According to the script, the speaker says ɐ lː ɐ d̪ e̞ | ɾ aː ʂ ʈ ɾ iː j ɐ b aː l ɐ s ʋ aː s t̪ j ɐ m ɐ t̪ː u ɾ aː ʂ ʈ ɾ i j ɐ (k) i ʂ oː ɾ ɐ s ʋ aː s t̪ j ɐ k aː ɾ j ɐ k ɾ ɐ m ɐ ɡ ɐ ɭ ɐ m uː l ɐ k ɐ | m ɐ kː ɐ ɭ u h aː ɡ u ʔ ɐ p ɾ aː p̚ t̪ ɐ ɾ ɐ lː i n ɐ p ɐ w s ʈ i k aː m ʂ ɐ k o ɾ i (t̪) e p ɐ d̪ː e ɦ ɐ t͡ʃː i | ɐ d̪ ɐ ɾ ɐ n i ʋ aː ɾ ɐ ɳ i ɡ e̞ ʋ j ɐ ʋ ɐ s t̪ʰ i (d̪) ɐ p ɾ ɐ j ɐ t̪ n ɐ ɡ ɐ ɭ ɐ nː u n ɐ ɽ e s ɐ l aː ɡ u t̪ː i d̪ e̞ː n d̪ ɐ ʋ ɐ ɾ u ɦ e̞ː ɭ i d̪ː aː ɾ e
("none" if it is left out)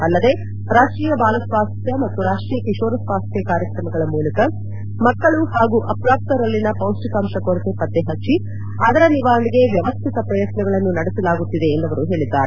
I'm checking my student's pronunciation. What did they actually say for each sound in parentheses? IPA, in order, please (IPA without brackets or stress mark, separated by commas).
k, t̪, t̪